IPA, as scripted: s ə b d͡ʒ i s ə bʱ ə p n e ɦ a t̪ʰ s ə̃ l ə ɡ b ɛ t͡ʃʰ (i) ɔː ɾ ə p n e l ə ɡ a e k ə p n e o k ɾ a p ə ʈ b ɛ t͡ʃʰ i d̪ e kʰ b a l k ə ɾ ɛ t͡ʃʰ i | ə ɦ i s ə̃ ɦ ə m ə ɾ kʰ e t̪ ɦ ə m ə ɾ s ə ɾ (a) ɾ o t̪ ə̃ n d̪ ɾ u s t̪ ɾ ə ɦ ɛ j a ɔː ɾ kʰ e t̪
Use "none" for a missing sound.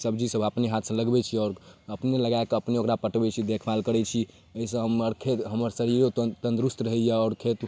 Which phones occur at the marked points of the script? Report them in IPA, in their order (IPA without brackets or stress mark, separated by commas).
i, i